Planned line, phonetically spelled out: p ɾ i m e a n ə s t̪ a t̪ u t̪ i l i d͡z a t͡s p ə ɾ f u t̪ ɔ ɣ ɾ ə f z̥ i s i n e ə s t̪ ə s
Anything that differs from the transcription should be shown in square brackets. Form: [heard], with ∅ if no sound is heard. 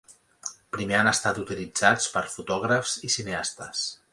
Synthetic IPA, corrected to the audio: p ɾ i m e a n ə s t̪ a t̪ u t̪ i l i d͡z a t͡s p ə ɾ f u t̪ ɔ ɣ ɾ ə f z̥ i s i n e [a] s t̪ ə s